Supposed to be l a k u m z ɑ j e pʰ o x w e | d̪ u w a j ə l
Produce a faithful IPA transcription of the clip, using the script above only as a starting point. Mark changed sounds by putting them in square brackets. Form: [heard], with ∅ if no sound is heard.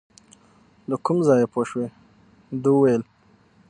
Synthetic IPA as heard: l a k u m z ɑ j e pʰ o [ʃ] w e | d̪ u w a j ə l

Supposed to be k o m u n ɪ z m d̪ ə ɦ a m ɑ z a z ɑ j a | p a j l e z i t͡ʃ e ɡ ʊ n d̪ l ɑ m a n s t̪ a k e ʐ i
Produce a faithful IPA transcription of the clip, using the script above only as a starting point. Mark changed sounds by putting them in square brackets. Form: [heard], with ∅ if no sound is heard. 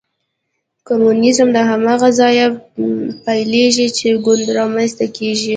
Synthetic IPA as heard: k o m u n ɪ z m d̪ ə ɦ a m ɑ [ɣ] a z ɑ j a | p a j l e [ʒ] i t͡ʃ e ɡ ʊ n d̪ [ɾ] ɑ m a n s t̪ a k e [ʒ] i

